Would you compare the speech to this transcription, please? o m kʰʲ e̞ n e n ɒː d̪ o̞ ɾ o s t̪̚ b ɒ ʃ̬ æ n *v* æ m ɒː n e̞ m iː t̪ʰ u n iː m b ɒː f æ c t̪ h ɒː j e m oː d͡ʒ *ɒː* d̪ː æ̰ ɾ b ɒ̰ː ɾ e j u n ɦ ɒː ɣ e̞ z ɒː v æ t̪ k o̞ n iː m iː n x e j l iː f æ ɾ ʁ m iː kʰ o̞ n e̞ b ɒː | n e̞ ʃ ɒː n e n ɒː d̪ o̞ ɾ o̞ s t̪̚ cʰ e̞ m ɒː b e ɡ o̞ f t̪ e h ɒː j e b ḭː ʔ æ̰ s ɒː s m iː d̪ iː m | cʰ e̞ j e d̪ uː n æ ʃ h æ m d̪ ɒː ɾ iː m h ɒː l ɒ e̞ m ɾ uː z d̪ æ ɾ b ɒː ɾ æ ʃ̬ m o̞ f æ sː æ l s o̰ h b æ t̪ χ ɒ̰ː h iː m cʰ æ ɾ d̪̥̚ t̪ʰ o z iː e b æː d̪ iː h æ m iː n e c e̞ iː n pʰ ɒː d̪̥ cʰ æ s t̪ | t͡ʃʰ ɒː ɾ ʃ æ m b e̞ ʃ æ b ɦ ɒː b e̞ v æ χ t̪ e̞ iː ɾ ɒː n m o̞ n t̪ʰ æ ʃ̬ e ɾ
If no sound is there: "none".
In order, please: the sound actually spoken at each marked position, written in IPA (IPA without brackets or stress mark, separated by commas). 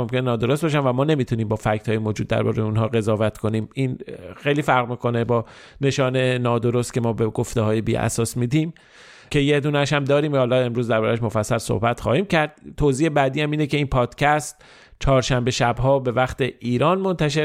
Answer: v, uː